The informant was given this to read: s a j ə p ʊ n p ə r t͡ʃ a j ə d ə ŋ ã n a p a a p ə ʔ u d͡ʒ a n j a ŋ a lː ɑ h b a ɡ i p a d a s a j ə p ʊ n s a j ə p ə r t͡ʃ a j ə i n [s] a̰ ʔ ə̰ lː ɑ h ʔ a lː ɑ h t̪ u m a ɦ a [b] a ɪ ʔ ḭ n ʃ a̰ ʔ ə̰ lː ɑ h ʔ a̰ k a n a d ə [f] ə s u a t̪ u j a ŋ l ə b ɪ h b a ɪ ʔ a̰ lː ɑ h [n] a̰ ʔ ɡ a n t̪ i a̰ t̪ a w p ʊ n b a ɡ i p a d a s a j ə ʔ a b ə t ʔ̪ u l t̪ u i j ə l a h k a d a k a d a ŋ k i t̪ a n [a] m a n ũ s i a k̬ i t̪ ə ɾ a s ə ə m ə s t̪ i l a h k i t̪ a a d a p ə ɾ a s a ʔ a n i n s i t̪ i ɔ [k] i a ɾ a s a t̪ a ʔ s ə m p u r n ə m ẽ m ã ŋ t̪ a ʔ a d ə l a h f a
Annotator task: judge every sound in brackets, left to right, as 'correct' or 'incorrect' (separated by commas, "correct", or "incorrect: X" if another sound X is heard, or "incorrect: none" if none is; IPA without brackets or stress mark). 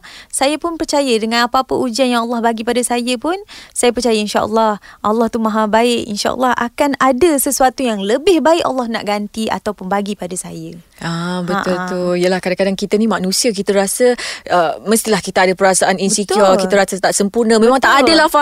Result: incorrect: ʃ, correct, incorrect: s, correct, incorrect: i, correct